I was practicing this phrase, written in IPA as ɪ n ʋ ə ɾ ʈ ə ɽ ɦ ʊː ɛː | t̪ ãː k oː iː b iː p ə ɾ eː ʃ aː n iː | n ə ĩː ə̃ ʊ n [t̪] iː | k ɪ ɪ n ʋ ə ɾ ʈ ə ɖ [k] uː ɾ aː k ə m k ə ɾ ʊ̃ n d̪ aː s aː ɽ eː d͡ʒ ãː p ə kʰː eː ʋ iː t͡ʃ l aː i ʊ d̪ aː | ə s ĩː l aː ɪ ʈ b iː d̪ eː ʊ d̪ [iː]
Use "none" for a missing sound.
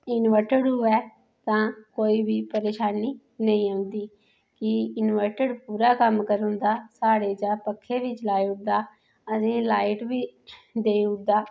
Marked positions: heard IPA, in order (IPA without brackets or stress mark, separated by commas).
d̪, p, aː